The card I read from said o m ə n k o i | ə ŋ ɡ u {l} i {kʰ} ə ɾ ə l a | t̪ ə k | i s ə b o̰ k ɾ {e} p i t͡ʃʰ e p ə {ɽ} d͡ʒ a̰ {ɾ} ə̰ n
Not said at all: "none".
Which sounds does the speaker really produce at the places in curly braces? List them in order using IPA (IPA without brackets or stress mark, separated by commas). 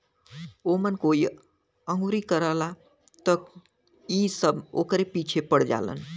ɾ, k, e, ɽ, l